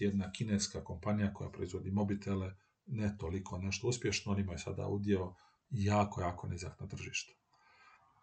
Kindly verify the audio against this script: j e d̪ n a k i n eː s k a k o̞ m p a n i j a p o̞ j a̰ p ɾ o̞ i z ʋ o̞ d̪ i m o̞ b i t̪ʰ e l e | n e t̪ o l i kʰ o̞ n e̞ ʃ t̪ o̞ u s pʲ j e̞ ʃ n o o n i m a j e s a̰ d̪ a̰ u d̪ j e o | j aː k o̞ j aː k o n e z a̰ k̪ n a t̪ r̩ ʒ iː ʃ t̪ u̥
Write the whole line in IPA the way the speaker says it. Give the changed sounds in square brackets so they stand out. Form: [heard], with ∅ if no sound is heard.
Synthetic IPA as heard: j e d̪ n a k i n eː s k a k o̞ m p a n i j a [k] o̞ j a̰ p ɾ o̞ i z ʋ o̞ d̪ i m o̞ b i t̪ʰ e l e | n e t̪ o l i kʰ o̞ n e̞ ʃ t̪ o̞ u s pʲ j e̞ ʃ n o o n i m a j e s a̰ d̪ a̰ u d̪ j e o | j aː k o̞ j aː k o n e z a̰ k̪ n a t̪ r̩ ʒ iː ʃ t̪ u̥